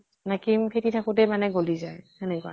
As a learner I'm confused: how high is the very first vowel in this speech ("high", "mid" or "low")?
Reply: low